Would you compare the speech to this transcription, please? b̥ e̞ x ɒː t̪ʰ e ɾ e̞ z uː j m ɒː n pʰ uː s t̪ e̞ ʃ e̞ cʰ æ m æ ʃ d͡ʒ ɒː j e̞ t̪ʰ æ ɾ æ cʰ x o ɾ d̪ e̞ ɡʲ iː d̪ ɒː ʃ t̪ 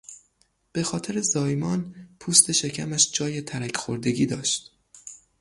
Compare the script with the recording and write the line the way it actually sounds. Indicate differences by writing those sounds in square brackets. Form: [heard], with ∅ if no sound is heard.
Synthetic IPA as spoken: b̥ e̞ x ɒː t̪ʰ e ɾ e̞ z [ɒː] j m ɒː n pʰ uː s t̪ e̞ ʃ e̞ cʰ æ m æ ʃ d͡ʒ ɒː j e̞ t̪ʰ æ ɾ æ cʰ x o ɾ d̪ e̞ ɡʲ iː d̪ ɒː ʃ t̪